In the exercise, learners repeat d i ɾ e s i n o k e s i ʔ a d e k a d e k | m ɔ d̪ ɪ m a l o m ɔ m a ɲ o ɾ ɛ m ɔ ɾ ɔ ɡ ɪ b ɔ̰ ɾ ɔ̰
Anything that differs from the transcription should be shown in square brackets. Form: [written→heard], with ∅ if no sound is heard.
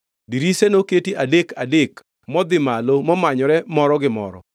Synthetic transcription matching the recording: d i ɾ [e→i] s [i→e] n o k e [s→t] i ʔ a d e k a d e k | m ɔ d̪ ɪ m a l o m ɔ m a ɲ [o→ɔ] ɾ ɛ m ɔ ɾ ɔ ɡ ɪ [b→m] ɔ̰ ɾ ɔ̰

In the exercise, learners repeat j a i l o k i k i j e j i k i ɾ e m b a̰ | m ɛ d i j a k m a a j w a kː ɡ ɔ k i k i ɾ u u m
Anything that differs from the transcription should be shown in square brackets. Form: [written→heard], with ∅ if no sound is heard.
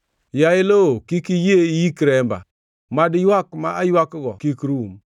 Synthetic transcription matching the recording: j a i l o k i k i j e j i k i ɾ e m b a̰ | m [ɛ→a] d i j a k m a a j w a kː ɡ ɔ k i k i ɾ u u m

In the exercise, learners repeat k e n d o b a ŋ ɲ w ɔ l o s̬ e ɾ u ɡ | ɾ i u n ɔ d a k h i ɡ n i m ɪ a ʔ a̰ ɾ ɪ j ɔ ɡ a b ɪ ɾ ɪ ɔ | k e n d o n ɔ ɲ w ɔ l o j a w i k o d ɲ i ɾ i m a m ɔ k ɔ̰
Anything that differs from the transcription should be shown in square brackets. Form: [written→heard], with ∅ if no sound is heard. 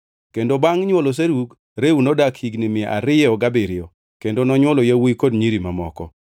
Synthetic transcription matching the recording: k e n d o b a ŋ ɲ w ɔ l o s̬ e ɾ u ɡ | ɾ [i→e] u n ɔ d a k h i ɡ n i m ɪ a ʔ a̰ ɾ ɪ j ɔ ɡ a b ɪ ɾ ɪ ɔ | k e n d o n ɔ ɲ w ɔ l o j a w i k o d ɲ i ɾ i m a m ɔ k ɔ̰

